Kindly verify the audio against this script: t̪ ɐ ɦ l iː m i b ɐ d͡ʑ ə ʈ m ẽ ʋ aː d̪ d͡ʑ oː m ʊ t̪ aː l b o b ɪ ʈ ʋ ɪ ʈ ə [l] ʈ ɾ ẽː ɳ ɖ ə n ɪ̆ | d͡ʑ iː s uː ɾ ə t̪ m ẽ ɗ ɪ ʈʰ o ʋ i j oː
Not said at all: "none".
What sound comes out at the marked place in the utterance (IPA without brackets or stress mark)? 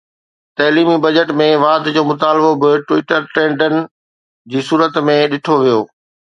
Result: ɾ